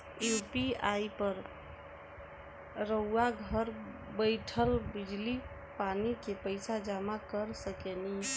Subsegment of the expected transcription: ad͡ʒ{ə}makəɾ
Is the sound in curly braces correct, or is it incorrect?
incorrect: a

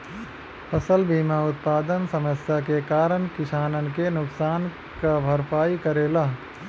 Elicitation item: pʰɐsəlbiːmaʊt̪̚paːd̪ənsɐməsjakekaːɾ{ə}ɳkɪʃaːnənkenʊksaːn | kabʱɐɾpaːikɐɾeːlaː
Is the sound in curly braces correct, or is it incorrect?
correct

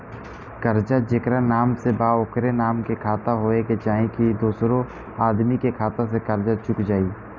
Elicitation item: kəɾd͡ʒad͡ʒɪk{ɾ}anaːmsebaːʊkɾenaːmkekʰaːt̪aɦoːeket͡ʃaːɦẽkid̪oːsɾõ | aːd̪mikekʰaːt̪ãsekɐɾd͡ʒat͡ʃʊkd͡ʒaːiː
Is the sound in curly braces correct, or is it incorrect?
correct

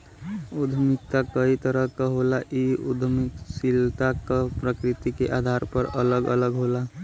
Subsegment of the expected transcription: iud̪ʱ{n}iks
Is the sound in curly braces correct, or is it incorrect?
incorrect: m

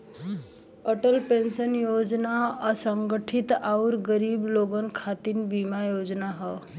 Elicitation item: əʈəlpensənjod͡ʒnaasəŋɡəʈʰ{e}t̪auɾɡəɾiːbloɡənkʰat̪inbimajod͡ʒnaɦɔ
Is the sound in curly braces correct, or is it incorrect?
incorrect: i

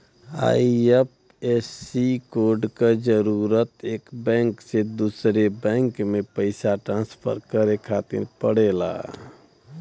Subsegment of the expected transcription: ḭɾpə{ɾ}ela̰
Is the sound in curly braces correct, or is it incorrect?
incorrect: ɽ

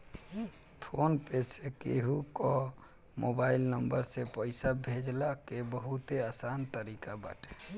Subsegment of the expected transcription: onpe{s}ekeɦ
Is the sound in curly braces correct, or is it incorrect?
correct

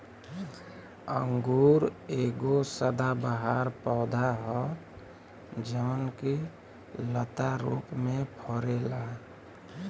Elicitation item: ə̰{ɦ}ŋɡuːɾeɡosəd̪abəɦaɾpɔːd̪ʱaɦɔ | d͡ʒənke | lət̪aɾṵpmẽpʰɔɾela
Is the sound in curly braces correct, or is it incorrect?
incorrect: none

